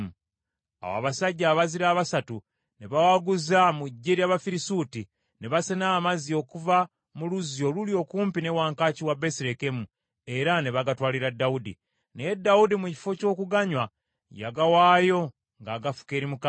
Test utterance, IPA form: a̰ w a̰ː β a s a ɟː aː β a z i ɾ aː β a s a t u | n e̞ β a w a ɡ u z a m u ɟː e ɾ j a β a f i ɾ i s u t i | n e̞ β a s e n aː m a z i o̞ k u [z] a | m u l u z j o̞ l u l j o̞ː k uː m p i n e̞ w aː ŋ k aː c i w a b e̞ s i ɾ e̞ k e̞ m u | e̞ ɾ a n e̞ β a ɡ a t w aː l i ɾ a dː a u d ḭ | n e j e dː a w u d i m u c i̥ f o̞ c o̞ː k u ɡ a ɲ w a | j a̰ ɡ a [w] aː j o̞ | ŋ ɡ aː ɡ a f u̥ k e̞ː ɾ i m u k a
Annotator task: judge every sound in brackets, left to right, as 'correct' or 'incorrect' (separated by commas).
incorrect, correct